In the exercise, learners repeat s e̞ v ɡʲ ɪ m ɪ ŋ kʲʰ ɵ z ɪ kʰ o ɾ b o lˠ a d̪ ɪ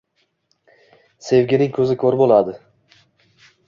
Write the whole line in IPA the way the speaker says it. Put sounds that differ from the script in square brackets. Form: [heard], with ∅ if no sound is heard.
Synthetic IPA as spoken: s e̞ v ɡʲ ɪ [n] ɪ ŋ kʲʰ ɵ z ɪ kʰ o ɾ b o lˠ a d̪ ɪ